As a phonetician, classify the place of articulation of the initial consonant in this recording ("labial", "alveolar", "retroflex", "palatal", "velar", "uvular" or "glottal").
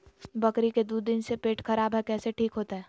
labial